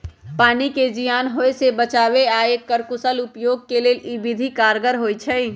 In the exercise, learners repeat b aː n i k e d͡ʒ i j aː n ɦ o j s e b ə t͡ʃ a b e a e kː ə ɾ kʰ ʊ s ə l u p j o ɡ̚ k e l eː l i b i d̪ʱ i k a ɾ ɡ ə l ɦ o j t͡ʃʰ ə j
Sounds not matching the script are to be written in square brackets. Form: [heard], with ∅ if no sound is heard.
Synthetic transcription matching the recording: [p] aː n i k e d͡ʒ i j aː n ɦ o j s e b ə t͡ʃ a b e a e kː ə ɾ [k] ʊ s ə l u p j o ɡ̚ k e l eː l i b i d̪ʱ i k a ɾ ɡ ə [ɾ] ɦ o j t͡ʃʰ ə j